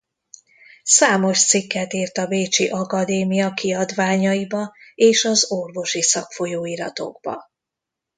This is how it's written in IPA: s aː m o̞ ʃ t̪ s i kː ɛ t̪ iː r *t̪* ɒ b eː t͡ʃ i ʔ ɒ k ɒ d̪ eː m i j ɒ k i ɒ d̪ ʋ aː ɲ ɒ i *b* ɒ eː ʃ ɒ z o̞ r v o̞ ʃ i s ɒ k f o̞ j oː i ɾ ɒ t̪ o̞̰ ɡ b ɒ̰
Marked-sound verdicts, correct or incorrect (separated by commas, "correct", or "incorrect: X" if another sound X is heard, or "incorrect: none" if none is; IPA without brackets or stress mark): correct, correct